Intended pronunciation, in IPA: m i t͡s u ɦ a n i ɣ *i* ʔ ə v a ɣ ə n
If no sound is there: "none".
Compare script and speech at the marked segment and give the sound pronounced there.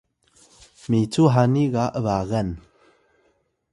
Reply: a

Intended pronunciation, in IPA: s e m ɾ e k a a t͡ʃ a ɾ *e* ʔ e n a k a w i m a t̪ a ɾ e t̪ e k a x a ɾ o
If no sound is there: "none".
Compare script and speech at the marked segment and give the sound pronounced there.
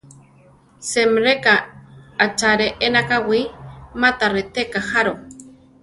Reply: e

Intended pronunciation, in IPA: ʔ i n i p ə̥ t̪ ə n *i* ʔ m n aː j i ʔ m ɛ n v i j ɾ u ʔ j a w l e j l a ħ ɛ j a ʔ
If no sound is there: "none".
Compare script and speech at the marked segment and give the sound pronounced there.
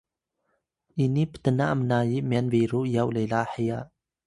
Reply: a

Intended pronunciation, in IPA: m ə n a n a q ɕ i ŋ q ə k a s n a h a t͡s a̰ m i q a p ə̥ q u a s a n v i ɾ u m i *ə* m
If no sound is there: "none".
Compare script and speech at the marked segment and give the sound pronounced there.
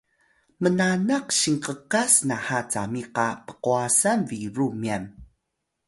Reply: a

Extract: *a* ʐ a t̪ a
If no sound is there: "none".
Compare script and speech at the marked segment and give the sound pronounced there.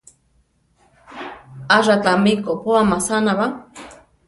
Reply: a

